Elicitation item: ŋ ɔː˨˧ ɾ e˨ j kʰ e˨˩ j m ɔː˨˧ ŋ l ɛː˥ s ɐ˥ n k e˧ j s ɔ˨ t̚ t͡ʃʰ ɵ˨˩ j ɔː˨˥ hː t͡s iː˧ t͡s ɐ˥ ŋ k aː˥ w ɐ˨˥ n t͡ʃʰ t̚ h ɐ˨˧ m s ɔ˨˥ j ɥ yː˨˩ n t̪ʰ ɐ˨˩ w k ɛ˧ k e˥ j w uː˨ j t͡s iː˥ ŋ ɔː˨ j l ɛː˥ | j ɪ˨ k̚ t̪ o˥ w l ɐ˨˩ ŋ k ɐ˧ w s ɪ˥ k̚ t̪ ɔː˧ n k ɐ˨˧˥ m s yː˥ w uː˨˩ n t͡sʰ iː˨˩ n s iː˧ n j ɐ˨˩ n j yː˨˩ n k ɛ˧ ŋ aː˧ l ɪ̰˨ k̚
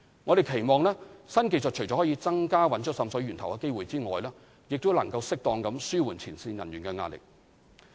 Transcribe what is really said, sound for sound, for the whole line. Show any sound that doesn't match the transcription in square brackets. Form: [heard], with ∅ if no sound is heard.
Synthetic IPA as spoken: ŋ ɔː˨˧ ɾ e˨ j kʰ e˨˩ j m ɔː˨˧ ŋ l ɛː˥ s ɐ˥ n k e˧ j s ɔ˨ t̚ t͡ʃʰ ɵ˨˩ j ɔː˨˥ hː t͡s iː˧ t͡s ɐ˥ ŋ k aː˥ w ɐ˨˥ n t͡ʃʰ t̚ [s] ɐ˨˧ m s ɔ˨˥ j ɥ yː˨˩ n t̪ʰ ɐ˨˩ w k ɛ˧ k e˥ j w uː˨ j t͡s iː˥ ŋ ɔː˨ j l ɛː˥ | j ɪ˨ k̚ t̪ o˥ w l ɐ˨˩ ŋ k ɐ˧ w s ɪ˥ k̚ t̪ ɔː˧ [ŋ] k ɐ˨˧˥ m s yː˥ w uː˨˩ n t͡sʰ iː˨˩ n s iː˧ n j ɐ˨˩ n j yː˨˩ n k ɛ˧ ŋ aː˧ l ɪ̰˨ k̚